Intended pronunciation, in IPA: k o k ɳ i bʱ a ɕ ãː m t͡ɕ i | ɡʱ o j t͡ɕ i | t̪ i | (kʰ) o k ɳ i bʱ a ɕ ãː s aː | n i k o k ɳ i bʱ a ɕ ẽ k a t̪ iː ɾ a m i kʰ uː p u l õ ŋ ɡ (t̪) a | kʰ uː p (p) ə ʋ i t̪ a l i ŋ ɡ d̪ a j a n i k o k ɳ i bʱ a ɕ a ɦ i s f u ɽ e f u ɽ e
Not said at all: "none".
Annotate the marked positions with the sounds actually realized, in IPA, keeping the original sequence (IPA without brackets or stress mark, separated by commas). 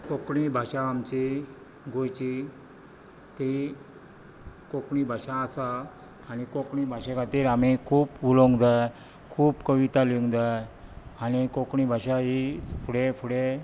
k, d̪, k